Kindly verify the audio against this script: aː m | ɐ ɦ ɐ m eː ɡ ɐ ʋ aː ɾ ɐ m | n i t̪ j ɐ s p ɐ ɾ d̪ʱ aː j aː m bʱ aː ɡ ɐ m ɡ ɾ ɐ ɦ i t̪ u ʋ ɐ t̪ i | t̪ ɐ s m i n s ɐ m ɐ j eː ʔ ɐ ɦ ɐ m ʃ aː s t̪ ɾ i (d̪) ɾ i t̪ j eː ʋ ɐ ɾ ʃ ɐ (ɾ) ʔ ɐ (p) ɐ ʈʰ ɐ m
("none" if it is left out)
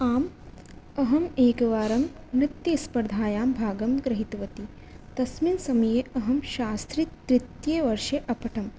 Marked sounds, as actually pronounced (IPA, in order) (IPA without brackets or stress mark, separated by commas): t̪, none, p